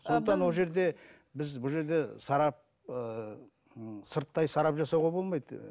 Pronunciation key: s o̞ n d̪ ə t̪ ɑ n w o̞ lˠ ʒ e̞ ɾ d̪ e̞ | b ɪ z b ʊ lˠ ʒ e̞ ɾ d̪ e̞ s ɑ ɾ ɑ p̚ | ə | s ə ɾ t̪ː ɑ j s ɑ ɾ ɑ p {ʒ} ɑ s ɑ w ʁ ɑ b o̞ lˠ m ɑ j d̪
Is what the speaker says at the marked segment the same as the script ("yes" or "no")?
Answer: yes